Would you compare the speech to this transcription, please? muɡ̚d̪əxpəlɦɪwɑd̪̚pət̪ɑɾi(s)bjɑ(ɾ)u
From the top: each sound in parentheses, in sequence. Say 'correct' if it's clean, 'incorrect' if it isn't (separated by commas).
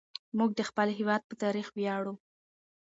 incorrect, incorrect